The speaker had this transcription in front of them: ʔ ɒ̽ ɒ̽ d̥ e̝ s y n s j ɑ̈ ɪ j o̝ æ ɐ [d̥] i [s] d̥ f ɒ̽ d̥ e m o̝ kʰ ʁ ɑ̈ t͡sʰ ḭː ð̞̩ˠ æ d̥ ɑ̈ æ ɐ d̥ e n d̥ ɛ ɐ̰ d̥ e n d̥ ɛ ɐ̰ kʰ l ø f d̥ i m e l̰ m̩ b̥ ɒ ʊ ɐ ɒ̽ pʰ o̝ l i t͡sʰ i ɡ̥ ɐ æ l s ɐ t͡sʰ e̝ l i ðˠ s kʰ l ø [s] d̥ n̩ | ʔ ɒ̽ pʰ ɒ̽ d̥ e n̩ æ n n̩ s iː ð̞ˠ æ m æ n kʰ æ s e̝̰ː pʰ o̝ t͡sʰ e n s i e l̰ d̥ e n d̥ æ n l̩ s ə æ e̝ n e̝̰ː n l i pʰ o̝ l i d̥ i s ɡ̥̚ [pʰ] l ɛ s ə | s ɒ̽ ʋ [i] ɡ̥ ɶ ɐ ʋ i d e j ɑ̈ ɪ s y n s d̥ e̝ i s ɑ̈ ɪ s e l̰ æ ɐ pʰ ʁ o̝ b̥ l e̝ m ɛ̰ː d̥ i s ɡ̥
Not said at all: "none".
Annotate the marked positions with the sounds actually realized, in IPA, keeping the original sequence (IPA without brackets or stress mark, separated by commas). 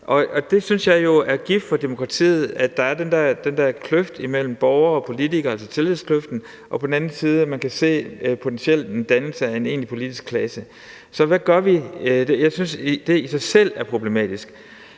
ɡ̥, f, f, kʰ, æ